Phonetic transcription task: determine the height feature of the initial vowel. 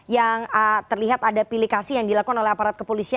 low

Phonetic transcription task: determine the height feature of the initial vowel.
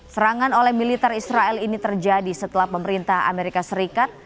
mid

